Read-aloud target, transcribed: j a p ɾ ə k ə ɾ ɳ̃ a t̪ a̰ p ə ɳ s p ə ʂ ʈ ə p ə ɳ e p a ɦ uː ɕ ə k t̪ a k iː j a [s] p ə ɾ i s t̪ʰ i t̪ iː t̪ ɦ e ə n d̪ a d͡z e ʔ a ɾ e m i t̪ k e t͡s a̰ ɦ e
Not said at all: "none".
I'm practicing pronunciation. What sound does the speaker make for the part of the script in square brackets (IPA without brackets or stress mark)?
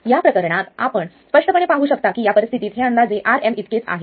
none